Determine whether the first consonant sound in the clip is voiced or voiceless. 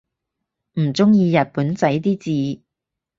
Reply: voiced